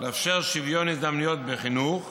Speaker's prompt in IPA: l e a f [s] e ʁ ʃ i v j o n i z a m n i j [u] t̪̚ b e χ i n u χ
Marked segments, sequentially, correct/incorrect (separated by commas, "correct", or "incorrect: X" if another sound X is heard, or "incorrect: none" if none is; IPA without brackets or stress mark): incorrect: ʃ, incorrect: o